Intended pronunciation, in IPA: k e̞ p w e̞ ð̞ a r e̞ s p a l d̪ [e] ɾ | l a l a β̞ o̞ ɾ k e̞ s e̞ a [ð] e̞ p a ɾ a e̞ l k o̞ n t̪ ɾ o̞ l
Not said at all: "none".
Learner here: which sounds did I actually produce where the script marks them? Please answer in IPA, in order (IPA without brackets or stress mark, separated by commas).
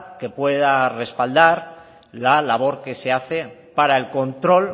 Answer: a, θ